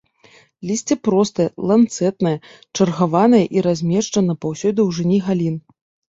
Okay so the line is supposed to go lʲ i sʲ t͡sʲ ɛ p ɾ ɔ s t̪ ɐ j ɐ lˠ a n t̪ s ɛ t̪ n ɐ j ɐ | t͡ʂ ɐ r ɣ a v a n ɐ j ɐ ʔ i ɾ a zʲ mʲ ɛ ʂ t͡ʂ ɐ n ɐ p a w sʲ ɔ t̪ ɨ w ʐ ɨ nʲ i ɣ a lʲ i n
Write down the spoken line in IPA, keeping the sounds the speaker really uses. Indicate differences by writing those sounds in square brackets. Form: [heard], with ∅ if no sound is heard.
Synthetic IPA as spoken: lʲ i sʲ t͡sʲ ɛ p ɾ ɔ s t̪ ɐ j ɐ lˠ a n t̪ s ɛ t̪ n ɐ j ɐ | t͡ʂ ɐ r ɣ a v a n ɐ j ɐ ʔ i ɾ a zʲ mʲ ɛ ʂ t͡ʂ ɐ n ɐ p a w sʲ ɔ [d̪] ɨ w ʐ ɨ nʲ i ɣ a lʲ i n